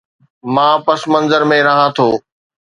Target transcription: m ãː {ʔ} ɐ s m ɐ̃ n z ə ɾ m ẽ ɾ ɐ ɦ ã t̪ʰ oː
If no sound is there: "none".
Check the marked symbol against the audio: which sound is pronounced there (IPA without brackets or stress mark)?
p